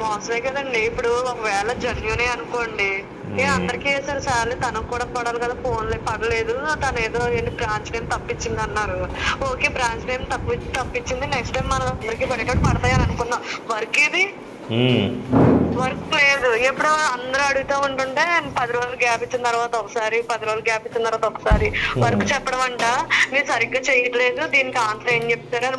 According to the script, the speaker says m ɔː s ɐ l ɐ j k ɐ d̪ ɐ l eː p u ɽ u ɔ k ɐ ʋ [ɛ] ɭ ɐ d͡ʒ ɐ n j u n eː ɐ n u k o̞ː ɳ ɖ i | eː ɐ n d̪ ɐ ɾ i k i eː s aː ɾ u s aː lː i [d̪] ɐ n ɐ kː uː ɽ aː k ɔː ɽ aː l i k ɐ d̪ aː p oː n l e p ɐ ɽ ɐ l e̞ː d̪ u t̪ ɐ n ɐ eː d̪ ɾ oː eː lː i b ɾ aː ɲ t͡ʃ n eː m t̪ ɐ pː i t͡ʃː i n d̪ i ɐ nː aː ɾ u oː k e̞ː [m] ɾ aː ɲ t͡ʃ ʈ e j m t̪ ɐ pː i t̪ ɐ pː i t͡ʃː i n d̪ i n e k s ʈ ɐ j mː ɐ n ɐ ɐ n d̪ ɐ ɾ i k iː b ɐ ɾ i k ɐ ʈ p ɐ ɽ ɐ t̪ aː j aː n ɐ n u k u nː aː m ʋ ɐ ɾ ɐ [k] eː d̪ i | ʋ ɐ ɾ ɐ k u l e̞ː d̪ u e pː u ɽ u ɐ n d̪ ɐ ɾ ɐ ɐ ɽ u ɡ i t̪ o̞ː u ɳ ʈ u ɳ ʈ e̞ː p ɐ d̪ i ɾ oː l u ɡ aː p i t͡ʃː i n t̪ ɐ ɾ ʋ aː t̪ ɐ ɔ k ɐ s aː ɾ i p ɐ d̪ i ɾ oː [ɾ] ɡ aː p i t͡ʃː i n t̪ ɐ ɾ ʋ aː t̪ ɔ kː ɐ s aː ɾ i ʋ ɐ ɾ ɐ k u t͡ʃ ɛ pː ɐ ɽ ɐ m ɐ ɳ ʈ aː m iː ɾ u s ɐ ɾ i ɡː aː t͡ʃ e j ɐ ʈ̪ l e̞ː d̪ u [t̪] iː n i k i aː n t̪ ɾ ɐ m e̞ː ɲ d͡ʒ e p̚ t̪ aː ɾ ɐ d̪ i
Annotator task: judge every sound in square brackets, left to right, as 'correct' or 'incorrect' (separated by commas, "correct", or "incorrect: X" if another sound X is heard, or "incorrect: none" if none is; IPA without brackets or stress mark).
incorrect: ɛː, incorrect: t̪, incorrect: b, correct, incorrect: l, incorrect: d̪